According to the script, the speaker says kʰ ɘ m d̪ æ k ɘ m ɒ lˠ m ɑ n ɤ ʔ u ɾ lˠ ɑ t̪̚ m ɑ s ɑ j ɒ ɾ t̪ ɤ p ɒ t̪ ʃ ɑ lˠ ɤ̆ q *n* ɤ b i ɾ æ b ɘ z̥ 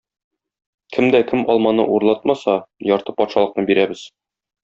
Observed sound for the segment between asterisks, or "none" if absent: n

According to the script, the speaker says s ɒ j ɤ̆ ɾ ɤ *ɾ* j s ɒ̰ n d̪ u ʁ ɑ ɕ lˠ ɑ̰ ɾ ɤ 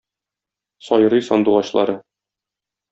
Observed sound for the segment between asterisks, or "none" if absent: none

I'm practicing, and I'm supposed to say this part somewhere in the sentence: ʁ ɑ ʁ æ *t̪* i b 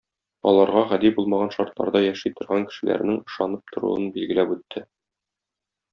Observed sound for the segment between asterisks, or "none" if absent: d̪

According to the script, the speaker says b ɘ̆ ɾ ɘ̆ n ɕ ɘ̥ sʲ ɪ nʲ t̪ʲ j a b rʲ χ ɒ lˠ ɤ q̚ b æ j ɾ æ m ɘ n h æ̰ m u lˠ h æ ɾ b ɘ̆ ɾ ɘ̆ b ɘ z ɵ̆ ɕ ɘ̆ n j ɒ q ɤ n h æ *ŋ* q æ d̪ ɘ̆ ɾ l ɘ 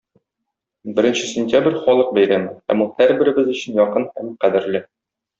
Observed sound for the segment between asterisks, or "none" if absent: m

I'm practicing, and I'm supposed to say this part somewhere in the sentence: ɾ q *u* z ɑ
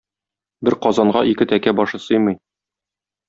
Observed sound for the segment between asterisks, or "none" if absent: ɒ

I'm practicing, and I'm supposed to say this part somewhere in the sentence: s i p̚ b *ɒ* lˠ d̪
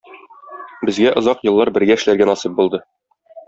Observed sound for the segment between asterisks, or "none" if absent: u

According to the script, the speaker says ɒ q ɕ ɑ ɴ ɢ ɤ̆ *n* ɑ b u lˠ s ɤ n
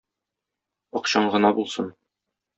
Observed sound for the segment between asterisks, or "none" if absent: n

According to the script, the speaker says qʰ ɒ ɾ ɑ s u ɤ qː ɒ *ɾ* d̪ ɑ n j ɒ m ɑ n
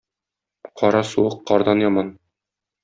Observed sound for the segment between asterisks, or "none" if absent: ɾ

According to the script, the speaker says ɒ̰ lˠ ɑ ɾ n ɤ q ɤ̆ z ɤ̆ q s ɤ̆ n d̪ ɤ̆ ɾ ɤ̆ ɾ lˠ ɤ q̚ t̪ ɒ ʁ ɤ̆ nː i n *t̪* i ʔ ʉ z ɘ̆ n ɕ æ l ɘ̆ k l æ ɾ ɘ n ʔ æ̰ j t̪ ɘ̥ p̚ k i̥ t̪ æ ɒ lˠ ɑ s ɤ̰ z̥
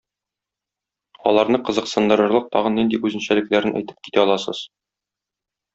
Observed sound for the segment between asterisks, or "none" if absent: d̪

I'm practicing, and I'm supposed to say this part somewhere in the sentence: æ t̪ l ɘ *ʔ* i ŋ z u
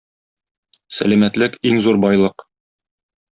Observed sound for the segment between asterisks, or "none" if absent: k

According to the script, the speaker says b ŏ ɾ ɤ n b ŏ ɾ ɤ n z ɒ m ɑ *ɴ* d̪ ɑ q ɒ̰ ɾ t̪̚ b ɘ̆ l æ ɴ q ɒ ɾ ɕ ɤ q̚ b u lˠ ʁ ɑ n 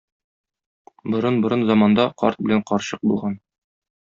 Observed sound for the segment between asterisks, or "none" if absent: n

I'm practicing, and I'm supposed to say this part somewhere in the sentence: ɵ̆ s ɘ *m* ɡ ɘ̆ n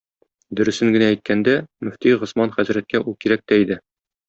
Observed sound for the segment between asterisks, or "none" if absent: ŋ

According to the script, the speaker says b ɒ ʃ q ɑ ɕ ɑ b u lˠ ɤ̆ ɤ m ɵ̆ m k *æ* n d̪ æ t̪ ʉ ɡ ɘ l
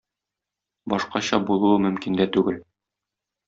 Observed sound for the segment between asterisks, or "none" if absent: i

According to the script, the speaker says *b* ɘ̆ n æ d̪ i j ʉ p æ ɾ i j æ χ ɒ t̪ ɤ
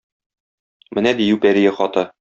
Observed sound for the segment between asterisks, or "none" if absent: m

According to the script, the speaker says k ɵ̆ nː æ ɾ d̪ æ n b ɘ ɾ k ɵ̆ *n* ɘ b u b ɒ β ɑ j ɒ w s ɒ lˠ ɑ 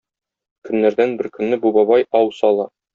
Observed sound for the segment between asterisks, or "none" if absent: nː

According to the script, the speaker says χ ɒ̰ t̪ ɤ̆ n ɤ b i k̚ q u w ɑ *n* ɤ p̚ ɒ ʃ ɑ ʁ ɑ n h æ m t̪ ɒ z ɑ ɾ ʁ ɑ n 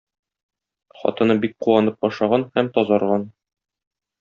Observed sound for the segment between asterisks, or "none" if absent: n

